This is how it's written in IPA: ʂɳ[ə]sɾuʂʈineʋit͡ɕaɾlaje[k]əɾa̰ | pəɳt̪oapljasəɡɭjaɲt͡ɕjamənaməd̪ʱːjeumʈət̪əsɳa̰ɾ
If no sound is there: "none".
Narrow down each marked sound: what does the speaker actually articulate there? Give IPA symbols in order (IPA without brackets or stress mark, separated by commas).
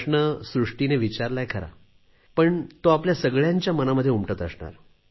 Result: ə, kʰ